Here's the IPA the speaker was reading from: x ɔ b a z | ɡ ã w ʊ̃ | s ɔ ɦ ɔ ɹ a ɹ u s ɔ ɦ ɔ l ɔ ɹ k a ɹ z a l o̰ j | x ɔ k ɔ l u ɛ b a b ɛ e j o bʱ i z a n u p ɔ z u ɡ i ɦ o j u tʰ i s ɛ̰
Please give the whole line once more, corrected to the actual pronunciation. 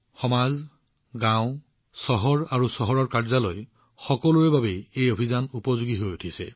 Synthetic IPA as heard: x ɔ m a z | ɡ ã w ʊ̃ | s ɔ ɦ ɔ ɹ a ɹ u s ɔ ɦ ɔ ɹ ɔ ɹ k a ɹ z a l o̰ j | x ɔ k ɔ l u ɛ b a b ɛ e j o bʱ i z a n u p ɔ z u ɡ i ɦ o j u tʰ i s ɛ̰